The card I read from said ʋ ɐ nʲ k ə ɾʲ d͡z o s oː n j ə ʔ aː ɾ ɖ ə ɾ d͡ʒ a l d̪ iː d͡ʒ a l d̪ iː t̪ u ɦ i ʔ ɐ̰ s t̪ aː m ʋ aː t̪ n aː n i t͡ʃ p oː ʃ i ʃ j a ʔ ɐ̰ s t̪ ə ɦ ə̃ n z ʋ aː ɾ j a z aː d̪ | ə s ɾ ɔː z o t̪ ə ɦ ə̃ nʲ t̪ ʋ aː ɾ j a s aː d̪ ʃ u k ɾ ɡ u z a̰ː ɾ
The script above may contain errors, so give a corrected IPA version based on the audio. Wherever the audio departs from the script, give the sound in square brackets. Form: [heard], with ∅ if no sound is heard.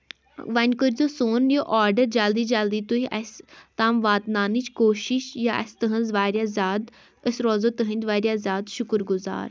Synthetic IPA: ʋ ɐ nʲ k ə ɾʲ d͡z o s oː n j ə ʔ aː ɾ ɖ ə ɾ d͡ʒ a l d̪ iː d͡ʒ a l d̪ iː t̪ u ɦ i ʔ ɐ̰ s t̪ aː m ʋ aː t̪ n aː n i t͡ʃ [k] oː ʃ i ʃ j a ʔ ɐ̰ s t̪ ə ɦ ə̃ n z ʋ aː ɾ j a z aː d̪ | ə s ɾ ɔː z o t̪ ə ɦ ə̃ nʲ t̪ ʋ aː ɾ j a [z] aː d̪ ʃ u k ɾ ɡ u z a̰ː ɾ

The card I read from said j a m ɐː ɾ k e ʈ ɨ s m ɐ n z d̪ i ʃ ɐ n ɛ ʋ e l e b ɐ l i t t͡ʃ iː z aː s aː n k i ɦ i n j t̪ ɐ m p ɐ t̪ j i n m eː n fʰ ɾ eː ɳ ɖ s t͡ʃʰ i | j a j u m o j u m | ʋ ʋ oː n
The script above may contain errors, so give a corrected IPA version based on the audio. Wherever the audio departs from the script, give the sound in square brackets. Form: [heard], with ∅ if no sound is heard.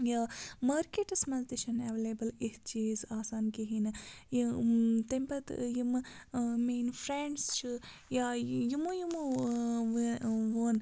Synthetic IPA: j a m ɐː ɾ k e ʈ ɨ s m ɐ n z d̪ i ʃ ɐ n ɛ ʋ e l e b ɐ l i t t͡ʃ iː z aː s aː n k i ɦ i n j t̪ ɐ m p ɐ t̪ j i [m] m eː n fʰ ɾ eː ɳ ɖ s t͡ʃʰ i | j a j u m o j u m | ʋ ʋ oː n

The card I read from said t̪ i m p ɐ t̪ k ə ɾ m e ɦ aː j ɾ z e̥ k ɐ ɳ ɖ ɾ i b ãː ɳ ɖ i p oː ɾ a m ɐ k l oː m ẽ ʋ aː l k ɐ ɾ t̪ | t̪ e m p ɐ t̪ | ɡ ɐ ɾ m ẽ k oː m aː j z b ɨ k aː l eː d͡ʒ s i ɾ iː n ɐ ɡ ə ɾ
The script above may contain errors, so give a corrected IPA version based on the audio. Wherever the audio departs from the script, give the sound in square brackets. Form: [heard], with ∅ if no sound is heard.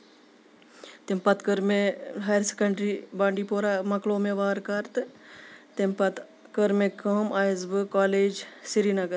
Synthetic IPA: t̪ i m p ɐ t̪ k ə ɾ m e ɦ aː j ɾ [s] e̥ k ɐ ɳ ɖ ɾ i b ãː ɳ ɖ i p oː ɾ a m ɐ k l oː m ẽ ʋ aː [ɾ] k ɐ ɾ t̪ | t̪ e m p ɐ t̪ | [k] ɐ ɾ m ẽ k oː m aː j z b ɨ k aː l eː d͡ʒ s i ɾ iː n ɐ ɡ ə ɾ

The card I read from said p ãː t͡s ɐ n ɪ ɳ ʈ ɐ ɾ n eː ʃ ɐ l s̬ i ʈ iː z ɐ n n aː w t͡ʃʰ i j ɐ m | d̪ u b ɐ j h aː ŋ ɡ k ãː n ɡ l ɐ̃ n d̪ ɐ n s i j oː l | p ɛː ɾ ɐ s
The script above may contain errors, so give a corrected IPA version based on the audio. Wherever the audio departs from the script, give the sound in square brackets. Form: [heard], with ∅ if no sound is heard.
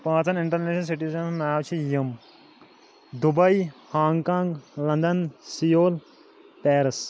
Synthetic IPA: p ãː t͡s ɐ n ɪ ɳ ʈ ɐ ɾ n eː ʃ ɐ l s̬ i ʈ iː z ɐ n n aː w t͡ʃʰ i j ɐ m | d̪ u b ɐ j h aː ŋ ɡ k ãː [ŋ] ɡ l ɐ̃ n d̪ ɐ n s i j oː l | p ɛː ɾ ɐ s

